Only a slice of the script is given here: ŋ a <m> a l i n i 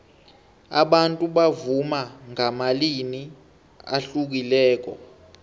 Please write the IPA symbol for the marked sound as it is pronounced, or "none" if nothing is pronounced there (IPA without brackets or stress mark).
m